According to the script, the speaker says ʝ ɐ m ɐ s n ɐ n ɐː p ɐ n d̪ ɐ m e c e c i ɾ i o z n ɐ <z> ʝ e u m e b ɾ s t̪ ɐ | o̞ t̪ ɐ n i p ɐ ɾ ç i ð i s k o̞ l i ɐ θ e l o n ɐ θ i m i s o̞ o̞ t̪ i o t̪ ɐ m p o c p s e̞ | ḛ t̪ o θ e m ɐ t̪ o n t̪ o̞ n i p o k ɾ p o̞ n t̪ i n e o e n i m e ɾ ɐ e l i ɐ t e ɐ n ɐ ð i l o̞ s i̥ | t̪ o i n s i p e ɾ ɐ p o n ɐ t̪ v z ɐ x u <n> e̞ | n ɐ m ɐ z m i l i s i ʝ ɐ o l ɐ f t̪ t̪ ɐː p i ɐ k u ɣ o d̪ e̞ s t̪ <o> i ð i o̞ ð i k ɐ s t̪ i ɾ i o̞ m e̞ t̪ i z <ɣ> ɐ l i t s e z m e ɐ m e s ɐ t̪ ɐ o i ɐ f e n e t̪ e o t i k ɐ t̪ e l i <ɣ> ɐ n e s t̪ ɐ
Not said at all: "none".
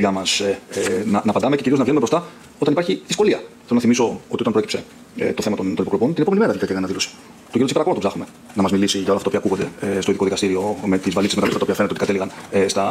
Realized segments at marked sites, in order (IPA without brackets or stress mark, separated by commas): v, m, o, v, ɣ